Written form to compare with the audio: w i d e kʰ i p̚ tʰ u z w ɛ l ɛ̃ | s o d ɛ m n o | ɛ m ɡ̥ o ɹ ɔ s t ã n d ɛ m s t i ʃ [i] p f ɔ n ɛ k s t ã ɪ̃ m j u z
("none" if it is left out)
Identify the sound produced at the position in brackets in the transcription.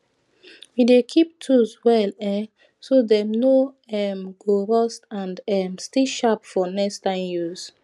a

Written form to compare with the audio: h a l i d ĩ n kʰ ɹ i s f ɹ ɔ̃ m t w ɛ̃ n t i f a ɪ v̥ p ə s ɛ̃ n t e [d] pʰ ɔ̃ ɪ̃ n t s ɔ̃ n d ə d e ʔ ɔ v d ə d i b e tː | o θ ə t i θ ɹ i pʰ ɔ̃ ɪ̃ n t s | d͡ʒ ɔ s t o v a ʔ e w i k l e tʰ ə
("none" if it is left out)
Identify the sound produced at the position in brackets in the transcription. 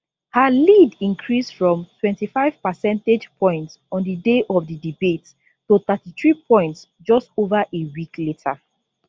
d͡ʒ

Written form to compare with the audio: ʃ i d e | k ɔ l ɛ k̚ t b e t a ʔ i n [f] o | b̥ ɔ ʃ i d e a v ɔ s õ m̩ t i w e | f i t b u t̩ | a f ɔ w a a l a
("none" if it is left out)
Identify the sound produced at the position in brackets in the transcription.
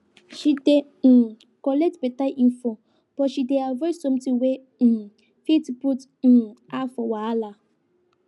f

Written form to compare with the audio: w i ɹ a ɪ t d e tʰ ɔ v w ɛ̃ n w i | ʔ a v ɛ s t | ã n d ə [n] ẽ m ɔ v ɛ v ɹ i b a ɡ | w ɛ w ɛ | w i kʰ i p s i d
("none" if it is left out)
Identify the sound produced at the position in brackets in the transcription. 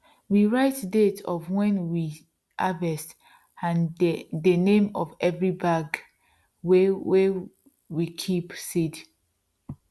n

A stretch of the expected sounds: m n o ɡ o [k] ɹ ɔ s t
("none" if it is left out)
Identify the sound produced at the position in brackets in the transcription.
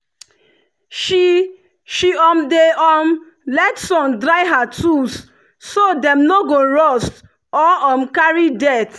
none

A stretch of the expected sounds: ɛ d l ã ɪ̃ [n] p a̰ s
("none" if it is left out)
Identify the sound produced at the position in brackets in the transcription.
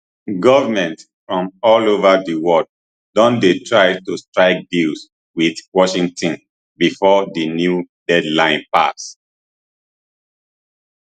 n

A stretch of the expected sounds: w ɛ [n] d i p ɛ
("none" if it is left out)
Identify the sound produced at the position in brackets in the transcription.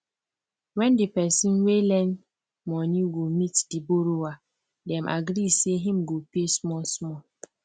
n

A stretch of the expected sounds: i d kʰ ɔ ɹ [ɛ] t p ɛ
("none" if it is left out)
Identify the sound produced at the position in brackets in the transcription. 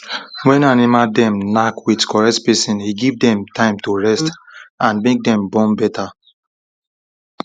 ɛ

